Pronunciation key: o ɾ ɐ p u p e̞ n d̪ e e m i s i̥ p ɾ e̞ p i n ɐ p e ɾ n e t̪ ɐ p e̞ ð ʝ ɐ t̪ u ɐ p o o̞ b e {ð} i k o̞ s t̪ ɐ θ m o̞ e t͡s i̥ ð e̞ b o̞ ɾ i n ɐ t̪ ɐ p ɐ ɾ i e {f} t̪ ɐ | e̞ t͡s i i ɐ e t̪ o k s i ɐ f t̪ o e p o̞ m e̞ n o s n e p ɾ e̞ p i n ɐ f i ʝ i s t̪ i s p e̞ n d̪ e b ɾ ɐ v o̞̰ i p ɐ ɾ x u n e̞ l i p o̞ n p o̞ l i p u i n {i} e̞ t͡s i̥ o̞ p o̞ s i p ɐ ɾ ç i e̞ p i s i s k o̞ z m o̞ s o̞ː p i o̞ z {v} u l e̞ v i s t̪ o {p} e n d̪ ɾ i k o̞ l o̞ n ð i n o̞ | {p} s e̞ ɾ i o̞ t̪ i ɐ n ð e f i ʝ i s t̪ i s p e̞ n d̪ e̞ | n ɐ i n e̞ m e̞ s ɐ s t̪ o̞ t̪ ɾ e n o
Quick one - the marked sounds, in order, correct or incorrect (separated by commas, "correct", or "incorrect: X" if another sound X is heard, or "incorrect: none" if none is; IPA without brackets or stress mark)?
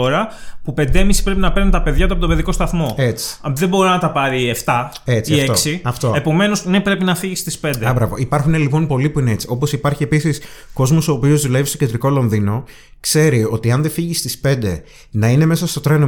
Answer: correct, correct, incorrect: e, incorrect: ð, incorrect: c, incorrect: k